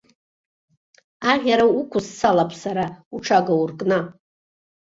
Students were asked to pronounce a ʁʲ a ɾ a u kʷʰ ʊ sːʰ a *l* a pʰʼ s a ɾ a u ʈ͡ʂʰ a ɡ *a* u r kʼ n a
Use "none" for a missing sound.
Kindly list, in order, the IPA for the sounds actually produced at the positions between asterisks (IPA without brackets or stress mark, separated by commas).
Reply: l, a